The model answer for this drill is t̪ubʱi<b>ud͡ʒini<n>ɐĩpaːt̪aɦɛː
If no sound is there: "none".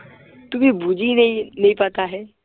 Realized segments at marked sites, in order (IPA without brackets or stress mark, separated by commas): b, n